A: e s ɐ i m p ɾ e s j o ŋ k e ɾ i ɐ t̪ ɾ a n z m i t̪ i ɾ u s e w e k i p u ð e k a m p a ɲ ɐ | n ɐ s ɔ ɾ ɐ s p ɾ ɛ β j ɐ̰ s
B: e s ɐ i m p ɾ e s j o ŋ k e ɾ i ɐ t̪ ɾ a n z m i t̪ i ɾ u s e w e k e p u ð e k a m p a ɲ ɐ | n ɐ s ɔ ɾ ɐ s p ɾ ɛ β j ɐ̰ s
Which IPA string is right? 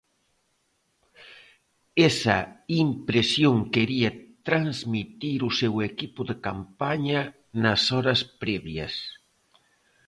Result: A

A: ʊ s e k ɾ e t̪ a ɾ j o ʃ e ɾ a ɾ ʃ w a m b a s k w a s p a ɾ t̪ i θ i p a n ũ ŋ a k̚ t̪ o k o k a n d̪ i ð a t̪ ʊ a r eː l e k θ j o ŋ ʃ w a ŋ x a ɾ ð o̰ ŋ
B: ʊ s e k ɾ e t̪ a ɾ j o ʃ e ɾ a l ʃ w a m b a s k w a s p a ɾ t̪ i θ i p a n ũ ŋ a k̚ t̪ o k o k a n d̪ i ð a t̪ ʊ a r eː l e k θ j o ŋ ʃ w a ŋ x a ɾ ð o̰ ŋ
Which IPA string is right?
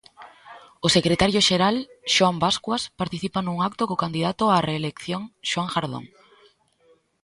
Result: B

